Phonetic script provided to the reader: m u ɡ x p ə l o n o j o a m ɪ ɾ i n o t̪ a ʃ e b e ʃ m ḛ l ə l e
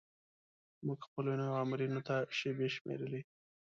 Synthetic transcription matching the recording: m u ɡ x p ə l o n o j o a m ɪ ɾ i n o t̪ a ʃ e b e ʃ m ḛ ɾ ə l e